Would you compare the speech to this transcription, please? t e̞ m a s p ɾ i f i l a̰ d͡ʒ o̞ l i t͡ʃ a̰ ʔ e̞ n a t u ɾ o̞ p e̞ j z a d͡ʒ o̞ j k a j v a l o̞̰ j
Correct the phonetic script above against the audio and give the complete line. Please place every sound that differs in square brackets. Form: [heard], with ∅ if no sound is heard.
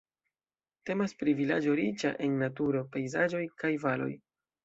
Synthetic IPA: t e̞ m a s p ɾ i [v] i l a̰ d͡ʒ o̞ [ɾ] i t͡ʃ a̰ ʔ e̞ [nː] a t u ɾ o̞ p e̞ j z a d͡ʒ o̞ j k a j v a l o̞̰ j

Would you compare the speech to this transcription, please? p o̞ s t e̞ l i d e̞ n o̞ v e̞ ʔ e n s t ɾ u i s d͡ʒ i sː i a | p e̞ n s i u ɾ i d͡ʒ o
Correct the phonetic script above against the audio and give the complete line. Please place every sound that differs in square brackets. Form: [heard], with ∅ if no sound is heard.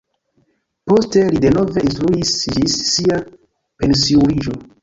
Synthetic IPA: p o̞ s t e̞ l i d e̞ n o̞ v e̞ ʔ [i] n s t ɾ u i s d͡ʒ i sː i a | p e̞ n s i u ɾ i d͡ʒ o

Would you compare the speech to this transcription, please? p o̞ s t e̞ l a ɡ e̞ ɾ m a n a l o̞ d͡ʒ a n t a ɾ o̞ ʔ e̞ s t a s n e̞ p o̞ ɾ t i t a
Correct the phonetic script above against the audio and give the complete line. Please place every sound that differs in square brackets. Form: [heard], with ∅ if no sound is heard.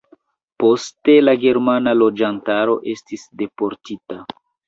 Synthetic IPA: p o̞ s t e̞ l a ɡ e̞ ɾ m a n a l o̞ d͡ʒ a n t a ɾ o̞ ʔ e̞ s t [i] s [d] e̞ p o̞ ɾ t i t a

